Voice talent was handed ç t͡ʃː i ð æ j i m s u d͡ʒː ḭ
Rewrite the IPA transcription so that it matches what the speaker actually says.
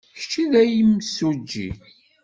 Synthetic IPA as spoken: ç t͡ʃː i ð æ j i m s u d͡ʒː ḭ